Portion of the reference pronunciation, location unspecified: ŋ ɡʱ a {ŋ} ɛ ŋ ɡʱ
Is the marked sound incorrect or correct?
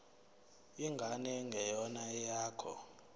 incorrect